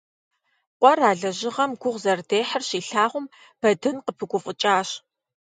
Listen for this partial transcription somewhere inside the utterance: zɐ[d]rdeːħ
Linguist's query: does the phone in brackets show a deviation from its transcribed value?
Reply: yes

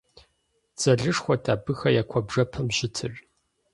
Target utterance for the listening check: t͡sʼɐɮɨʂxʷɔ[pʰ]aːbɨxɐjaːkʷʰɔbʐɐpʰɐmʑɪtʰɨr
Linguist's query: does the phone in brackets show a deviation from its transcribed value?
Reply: yes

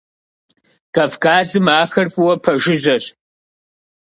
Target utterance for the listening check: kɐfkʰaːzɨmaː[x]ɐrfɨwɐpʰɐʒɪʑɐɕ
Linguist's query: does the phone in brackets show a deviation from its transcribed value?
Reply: no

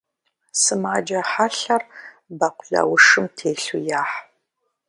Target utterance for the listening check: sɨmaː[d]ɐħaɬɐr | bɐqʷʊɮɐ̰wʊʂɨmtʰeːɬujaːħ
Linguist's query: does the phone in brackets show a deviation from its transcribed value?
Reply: yes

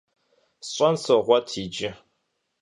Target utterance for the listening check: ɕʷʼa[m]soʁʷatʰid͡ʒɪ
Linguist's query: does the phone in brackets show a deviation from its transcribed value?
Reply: yes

